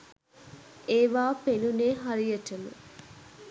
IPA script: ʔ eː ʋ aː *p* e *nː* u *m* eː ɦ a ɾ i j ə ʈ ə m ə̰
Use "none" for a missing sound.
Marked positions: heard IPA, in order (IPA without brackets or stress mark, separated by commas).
p, n, n